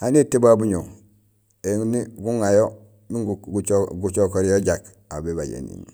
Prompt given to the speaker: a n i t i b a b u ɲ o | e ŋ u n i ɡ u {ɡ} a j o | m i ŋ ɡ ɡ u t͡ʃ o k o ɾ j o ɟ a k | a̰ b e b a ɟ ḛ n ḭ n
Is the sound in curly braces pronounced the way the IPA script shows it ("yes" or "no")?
no